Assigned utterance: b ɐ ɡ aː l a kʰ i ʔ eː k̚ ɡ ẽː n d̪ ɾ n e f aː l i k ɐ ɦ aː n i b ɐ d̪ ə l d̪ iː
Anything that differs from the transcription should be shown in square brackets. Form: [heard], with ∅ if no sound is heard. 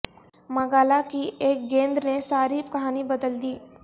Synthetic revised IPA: [m] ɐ ɡ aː l a [k] i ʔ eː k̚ ɡ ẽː n d̪ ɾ n e [s] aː [ɾ] i k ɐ ɦ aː n i b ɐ d̪ ə l d̪ iː